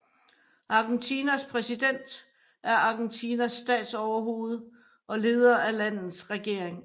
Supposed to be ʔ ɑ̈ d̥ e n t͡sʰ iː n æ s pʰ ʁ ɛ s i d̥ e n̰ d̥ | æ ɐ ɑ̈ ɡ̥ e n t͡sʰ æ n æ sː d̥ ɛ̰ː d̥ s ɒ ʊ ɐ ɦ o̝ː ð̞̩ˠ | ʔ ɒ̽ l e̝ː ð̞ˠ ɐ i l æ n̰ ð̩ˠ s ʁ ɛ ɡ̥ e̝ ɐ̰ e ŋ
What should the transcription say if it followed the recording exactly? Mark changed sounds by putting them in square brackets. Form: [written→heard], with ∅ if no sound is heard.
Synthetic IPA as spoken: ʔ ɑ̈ [d̥→ɡ̥] e n t͡sʰ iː n æ s pʰ ʁ ɛ s i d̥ e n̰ d̥ | æ ɐ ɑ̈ ɡ̥ e n t͡sʰ [æ→i] n æ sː d̥ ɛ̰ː d̥ s ɒ ʊ ɐ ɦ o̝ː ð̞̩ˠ | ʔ ɒ̽ l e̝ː ð̞ˠ ɐ [i→æ] l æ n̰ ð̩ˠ s ʁ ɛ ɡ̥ e̝ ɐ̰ e ŋ